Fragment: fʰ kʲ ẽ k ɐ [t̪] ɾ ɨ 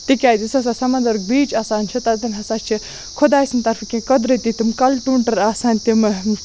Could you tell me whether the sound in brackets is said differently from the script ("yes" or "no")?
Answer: yes